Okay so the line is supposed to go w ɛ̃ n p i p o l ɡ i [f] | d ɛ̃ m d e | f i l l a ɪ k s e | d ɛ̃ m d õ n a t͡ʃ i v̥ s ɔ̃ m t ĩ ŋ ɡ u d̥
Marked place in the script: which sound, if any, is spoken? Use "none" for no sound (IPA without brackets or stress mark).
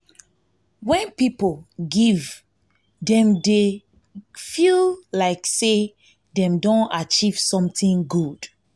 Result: v